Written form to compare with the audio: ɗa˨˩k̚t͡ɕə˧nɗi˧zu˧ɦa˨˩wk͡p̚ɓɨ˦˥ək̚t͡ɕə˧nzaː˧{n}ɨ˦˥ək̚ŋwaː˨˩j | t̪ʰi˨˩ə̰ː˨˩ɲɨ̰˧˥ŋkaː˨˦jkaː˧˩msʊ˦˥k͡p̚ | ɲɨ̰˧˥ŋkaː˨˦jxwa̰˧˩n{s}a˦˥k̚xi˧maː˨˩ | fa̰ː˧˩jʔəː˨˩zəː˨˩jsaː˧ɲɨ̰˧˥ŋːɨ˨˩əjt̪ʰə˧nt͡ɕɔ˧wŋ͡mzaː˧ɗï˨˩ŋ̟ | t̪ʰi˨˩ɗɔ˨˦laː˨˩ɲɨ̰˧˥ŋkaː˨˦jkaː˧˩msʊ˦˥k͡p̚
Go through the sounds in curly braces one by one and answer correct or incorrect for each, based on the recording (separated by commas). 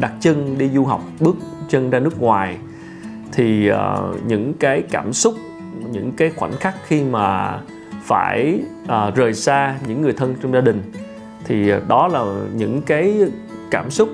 correct, incorrect